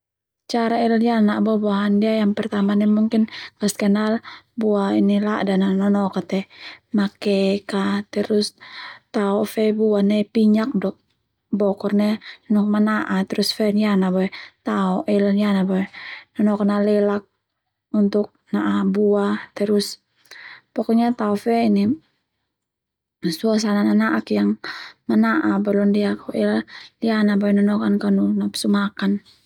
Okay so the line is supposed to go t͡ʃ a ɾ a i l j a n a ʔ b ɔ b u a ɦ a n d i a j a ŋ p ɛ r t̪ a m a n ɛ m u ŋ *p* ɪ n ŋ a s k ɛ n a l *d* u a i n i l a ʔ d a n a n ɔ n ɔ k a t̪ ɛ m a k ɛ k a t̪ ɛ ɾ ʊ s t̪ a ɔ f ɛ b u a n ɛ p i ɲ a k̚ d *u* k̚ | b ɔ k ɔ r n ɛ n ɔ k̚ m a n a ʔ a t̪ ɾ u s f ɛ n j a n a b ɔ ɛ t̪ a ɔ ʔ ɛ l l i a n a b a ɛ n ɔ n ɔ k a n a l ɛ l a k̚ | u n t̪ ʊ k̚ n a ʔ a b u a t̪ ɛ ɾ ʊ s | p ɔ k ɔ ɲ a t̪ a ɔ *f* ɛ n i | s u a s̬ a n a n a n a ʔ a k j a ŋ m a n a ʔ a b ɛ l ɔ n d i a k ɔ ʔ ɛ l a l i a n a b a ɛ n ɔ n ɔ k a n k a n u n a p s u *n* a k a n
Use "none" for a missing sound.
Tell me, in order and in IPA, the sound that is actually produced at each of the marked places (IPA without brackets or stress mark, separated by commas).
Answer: k, b, ɔ, f, m